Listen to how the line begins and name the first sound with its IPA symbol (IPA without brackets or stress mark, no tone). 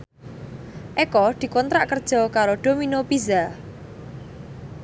ʔ